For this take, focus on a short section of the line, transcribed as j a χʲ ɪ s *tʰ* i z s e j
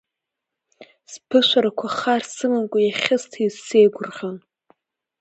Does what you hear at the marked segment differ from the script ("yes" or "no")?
no